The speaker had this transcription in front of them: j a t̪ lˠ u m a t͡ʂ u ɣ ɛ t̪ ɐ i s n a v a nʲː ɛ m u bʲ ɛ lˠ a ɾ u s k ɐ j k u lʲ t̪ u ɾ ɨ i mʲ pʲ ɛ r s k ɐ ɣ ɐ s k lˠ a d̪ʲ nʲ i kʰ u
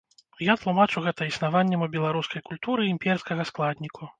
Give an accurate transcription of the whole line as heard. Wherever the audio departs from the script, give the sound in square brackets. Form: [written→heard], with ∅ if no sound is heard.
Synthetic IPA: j a t̪ lˠ u m a t͡ʂ u ɣ ɛ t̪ ɐ i s n a v a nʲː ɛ m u bʲ ɛ lˠ a ɾ u s k ɐ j k u lʲ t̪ u ɾ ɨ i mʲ pʲ ɛ r s k ɐ ɣ ɐ s k lˠ a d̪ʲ nʲ i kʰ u